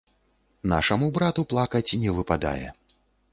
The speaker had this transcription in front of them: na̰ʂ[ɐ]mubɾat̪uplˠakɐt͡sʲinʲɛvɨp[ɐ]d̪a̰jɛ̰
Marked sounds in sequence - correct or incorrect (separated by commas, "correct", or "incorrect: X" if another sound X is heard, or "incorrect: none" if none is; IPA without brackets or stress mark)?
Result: correct, incorrect: a